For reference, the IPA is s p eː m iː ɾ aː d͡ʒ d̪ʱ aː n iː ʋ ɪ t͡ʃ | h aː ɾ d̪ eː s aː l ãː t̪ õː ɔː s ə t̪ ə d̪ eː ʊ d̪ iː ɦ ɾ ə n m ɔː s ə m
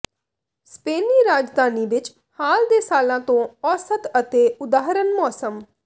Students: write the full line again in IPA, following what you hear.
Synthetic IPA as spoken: s p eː n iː ɾ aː d͡ʒ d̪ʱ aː n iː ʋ ɪ t͡ʃ | h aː l d̪ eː s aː l ãː t̪ õː ɔː s ə t̪ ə t̪ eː ʊ d̪ aː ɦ ɾ ə n m ɔː s ə m